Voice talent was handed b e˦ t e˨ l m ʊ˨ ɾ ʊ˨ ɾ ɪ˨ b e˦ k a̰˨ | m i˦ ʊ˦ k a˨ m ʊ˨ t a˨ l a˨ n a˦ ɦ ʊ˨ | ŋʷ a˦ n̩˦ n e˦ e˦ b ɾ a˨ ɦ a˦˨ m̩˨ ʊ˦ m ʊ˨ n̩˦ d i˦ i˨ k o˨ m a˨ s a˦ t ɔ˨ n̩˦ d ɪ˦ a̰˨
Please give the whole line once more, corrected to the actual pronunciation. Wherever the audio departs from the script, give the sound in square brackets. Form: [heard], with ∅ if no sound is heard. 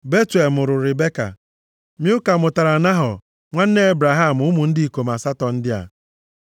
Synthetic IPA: b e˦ t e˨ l m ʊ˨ ɾ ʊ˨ ɾ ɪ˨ b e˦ k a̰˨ | m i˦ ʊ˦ k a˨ m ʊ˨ t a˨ [ɾ] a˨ n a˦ ɦ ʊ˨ | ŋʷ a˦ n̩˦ n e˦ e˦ b ɾ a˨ ɦ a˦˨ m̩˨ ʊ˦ m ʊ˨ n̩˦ d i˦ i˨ k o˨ m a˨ s a˦ t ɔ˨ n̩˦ d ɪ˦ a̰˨

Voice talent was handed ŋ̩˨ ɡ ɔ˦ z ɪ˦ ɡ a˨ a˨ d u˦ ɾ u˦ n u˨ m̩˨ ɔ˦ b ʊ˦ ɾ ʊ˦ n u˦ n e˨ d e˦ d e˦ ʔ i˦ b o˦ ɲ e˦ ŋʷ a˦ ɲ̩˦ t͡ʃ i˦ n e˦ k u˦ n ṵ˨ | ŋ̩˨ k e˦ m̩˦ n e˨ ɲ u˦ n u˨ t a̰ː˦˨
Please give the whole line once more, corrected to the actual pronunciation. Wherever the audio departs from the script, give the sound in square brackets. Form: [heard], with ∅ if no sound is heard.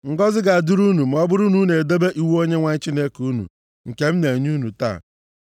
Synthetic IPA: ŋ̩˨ ɡ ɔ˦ z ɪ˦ ɡ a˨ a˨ d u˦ ɾ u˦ n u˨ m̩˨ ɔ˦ b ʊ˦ ɾ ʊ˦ n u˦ n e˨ d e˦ [b] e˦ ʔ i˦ [w] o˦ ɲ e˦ ŋʷ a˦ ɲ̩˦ t͡ʃ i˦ n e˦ k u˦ n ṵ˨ | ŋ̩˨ k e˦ m̩˦ n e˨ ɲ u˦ n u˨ t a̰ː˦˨

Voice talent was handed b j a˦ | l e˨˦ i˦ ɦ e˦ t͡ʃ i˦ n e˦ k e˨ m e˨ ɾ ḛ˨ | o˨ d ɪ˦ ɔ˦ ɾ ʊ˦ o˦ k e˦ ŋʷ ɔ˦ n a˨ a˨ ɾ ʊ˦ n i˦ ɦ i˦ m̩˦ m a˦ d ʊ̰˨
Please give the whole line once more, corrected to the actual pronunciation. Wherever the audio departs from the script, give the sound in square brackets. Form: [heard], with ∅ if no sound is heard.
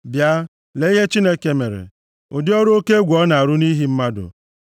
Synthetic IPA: b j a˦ | l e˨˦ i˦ ɦ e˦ t͡ʃ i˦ n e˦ k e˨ m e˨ ɾ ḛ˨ | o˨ d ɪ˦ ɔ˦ ɾ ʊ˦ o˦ k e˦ [ɡʷ] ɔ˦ n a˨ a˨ ɾ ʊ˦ n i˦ ɦ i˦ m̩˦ m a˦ d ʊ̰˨

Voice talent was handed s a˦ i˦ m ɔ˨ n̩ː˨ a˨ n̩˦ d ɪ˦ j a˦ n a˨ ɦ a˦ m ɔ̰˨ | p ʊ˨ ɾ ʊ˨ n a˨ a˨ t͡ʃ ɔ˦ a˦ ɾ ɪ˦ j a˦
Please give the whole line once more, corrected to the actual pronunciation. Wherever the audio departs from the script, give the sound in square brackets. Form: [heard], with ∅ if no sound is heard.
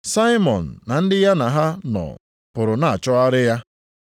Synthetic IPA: s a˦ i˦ m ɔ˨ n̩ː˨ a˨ n̩˦ d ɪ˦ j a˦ n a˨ ɦ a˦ [n] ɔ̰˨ | p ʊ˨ ɾ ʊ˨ n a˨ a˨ t͡ʃ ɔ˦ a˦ ɾ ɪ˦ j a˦

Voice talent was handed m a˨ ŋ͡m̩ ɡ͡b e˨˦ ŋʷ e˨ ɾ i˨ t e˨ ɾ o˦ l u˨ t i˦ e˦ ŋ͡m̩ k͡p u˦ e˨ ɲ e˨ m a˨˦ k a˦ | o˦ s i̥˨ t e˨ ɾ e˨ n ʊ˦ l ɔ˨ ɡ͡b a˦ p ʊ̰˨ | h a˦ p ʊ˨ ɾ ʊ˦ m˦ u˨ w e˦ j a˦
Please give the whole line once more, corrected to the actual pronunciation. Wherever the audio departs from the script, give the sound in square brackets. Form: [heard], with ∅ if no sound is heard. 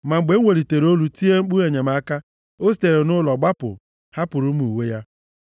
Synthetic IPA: m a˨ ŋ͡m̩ ɡ͡b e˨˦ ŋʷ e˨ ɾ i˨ t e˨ ɾ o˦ l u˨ t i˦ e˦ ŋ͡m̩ k͡p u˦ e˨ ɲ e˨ m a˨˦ k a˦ | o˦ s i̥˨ t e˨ ɾ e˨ n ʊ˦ l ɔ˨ ɡ͡b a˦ p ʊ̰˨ | h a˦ p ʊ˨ ɾ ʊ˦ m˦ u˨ w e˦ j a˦

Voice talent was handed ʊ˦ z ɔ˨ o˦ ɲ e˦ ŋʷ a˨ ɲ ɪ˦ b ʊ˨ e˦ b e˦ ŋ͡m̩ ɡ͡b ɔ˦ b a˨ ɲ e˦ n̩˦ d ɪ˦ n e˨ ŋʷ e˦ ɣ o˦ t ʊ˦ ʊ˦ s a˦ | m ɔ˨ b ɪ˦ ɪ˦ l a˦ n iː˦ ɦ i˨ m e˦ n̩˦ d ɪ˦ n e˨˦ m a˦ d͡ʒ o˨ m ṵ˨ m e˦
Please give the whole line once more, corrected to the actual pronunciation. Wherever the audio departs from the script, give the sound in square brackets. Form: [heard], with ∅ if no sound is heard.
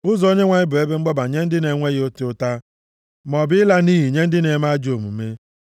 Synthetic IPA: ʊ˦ z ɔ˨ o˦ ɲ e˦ ŋʷ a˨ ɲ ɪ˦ b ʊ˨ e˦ b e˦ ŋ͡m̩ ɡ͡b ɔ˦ b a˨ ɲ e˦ n̩˦ d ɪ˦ n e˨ ŋʷ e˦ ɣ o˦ t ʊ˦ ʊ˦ [t] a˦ | m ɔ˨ b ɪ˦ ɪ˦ l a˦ n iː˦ ɦ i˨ [ɲ] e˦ n̩˦ d ɪ˦ n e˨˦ m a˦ d͡ʒ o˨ m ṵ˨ m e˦

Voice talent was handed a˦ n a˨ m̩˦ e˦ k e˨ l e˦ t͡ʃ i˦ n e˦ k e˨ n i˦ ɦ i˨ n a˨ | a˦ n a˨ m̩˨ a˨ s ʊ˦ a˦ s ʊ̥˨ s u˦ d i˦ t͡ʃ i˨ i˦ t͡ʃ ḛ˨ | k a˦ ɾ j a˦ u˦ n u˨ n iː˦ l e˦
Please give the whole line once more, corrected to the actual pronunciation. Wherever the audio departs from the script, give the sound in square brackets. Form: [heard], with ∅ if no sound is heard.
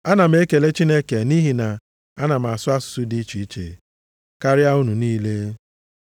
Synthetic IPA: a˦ n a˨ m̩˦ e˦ k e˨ l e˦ t͡ʃ i˦ n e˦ k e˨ n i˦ ɦ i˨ n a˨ | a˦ n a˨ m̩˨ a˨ s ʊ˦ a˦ s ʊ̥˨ s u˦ d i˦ t͡ʃ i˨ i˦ t͡ʃ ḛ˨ | k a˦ ɾ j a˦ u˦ n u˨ n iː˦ l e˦

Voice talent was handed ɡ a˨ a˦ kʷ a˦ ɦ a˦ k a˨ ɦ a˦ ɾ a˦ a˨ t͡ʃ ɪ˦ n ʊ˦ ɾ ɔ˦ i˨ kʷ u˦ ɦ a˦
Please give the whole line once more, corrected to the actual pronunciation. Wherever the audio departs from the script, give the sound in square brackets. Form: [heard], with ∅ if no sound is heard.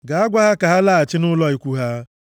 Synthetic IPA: ɡ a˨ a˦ [ɡʷ] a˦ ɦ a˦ k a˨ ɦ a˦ [l] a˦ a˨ t͡ʃ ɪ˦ n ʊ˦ [l] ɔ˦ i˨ kʷ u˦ ɦ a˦

